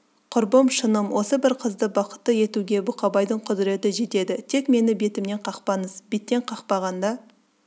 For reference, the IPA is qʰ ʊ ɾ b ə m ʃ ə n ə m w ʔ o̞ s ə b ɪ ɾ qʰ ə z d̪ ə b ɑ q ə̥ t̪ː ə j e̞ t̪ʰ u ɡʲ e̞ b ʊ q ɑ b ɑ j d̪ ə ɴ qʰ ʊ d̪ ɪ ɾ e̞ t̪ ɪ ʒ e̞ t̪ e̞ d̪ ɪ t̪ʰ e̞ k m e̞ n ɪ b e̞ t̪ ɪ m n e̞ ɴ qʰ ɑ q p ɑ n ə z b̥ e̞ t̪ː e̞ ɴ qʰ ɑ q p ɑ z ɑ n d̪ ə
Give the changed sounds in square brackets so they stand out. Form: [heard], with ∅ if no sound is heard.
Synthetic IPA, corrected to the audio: qʰ ʊ ɾ b ə m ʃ ə n ə m w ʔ o̞ s ə b ɪ ɾ qʰ ə z d̪ ə b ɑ q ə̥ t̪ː ə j e̞ [t̪] u ɡʲ e̞ b ʊ q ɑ b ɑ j d̪ ə ɴ qʰ ʊ d̪ ɪ ɾ e̞ t̪ ɪ ʒ e̞ t̪ e̞ d̪ ɪ t̪ʰ e̞ k m e̞ n ɪ b e̞ t̪ ɪ m n e̞ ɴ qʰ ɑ q p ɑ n ə z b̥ e̞ t̪ː e̞ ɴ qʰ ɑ q p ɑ [ʁ] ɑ n d̪ [ɑ]

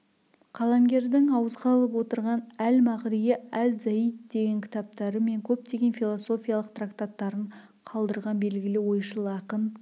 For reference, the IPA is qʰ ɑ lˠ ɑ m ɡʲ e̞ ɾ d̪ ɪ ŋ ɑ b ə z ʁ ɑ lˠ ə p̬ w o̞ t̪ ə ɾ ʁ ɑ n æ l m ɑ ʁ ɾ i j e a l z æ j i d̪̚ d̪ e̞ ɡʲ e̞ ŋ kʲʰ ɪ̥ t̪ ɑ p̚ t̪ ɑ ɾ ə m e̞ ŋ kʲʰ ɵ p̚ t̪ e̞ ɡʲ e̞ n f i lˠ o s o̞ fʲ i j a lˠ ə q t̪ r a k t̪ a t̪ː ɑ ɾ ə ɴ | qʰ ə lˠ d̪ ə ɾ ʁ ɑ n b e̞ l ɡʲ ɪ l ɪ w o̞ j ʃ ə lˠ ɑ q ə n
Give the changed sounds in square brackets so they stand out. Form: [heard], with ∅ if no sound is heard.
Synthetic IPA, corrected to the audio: qʰ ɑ lˠ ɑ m ɡʲ e̞ ɾ d̪ ɪ ŋ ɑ [w] ə z ʁ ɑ lˠ ə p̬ w o̞ t̪ ə ɾ ʁ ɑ n æ l m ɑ ʁ ɾ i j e [æ] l z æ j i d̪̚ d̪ e̞ ɡʲ e̞ ŋ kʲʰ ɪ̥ t̪ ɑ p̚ t̪ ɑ ɾ ə m e̞ ŋ kʲʰ ɵ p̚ t̪ e̞ ɡʲ e̞ n f i lˠ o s o̞ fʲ i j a lˠ ə q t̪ r a k t̪ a t̪ː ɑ ɾ ə ɴ | qʰ [ɑ] lˠ d̪ ə ɾ ʁ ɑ n b e̞ l ɡʲ ɪ l ɪ w o̞ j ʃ ə lˠ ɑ q ə n

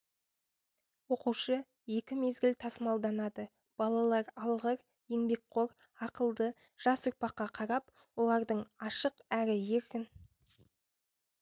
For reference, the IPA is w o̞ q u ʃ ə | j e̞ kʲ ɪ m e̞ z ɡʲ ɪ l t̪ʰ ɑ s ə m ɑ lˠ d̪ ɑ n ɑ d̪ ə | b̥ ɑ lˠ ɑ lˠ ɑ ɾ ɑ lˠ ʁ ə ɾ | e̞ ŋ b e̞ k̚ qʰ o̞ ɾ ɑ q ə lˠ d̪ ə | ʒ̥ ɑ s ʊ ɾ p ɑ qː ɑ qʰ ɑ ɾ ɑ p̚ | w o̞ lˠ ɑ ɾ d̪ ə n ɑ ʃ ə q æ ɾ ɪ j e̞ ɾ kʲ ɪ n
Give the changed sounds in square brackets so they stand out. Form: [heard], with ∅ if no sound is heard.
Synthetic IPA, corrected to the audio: w o̞ q u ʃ ə | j e̞ kʲ ɪ m e̞ z ɡʲ ɪ l t̪ʰ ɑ s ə m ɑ lˠ d̪ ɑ n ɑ d̪ ə | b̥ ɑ lˠ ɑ lˠ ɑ ɾ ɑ lˠ ʁ ə ɾ | e̞ ŋ b e̞ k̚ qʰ o̞ ɾ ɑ q ə lˠ d̪ ə | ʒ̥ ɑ s ʊ ɾ p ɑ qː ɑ qʰ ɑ ɾ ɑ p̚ | w o̞ lˠ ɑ ɾ d̪ ə [ɴ] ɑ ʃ ə q æ ɾ ɪ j e̞ ɾ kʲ ɪ n

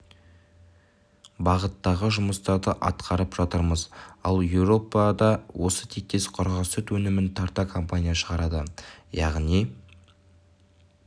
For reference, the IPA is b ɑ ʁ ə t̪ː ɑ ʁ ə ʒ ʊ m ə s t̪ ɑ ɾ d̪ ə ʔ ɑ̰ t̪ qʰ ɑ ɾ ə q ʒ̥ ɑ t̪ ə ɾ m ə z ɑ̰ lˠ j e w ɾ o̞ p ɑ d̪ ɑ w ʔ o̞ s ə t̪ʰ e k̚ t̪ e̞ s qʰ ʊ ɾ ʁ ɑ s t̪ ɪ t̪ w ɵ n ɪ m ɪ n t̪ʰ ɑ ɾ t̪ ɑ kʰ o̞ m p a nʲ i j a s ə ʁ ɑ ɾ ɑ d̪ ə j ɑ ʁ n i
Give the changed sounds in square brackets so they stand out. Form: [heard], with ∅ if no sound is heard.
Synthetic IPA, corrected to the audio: b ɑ ʁ ə t̪ː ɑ ʁ ə ʒ ʊ m ə s t̪ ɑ ɾ d̪ ə ʔ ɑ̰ t̪ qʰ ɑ ɾ ə [p] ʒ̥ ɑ t̪ ə ɾ m ə z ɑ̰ lˠ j e w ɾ o̞ p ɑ d̪ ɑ w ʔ o̞ s ə t̪ʰ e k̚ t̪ e̞ s qʰ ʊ ɾ ʁ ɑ s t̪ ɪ t̪ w ɵ n ɪ m ɪ n t̪ʰ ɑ ɾ t̪ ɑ kʰ o̞ m p a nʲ i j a [ʃ] ə ʁ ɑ ɾ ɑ d̪ ə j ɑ ʁ n i

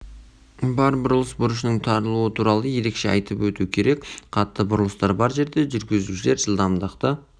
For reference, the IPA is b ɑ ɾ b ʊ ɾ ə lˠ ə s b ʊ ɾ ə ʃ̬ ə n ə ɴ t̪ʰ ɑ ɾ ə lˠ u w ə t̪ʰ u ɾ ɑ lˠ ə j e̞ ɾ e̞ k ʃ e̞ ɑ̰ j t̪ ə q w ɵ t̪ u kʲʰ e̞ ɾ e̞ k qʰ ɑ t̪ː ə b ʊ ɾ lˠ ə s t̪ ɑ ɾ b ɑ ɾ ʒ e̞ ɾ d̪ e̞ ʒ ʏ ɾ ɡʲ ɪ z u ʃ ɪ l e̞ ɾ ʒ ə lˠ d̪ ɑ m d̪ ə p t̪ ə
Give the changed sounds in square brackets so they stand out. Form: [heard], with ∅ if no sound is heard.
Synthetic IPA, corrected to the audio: b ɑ ɾ b ʊ ɾ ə lˠ ə s b ʊ ɾ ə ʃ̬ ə n ə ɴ t̪ʰ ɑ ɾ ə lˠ u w ə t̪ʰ u ɾ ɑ lˠ ə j e̞ ɾ e̞ k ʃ e̞ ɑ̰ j t̪ ə [p] w ɵ t̪ u kʲʰ e̞ ɾ e̞ k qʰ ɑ t̪ː ə b ʊ ɾ lˠ ə s t̪ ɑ ɾ b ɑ ɾ ʒ e̞ ɾ d̪ e̞ ʒ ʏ ɾ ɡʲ ɪ z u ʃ ɪ l e̞ ɾ ʒ ə lˠ d̪ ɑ m d̪ ə [q] t̪ ə

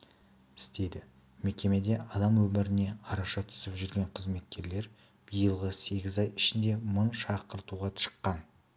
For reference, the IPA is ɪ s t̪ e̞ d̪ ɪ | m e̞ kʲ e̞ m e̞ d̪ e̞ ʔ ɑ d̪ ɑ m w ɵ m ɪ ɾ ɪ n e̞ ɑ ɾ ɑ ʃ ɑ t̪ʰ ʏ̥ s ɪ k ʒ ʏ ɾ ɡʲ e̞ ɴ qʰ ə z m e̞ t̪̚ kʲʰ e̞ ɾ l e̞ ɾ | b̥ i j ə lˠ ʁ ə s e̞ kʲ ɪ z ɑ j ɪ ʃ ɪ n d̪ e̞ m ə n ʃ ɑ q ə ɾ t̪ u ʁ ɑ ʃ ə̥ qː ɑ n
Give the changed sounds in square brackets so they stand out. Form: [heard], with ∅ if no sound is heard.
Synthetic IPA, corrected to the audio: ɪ s t̪ e̞ d̪ ɪ | m e̞ kʲ e̞ m e̞ d̪ e̞ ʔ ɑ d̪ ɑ m w ɵ m ɪ ɾ ɪ n e̞ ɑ ɾ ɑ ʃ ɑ t̪ʰ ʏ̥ s ɪ [p] ʒ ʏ ɾ ɡʲ e̞ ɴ qʰ ə z m e̞ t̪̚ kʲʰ e̞ ɾ l e̞ ɾ | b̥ i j ə lˠ ʁ ə s e̞ [ɡʲ] ɪ z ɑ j ɪ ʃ ɪ n d̪ e̞ m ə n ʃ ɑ q ə ɾ t̪ u ʁ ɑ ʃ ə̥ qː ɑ n

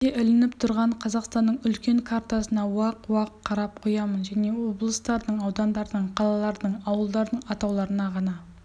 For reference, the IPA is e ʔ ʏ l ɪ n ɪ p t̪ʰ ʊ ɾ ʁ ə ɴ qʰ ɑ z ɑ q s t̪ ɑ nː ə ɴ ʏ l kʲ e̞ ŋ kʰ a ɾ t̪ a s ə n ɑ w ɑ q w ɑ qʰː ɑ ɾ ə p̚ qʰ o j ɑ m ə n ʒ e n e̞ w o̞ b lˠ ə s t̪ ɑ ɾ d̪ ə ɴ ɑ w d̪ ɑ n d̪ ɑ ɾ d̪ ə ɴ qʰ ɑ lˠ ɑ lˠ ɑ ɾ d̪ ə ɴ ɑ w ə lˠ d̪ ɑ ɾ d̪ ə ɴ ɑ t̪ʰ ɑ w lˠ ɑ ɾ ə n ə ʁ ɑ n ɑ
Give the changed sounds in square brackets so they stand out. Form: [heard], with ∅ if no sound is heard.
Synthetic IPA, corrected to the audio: e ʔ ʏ l ɪ n ɪ p t̪ʰ ʊ ɾ ʁ [ɑ] ɴ qʰ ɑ z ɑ q s t̪ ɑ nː ə ɴ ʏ l kʲ e̞ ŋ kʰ a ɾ t̪ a s ə n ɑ w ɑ q w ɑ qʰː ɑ ɾ [ɑ] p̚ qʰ o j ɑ m ə n ʒ [æ] n e̞ w o̞ b lˠ ə s t̪ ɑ ɾ d̪ ə ɴ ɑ w d̪ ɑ n d̪ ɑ ɾ d̪ ə ɴ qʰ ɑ lˠ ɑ lˠ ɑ ɾ d̪ ə ɴ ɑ w ə lˠ d̪ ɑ ɾ d̪ ə ɴ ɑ [t̪] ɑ w lˠ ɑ ɾ ə n [ɑ] ʁ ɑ n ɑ

